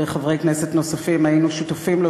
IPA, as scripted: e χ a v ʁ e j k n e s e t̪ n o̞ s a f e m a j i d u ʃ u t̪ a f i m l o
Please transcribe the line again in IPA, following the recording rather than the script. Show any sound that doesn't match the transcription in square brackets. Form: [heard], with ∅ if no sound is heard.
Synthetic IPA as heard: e χ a v ʁ e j k n e s e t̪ n o̞ s a f [i] m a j i [n] u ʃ u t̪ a f i m l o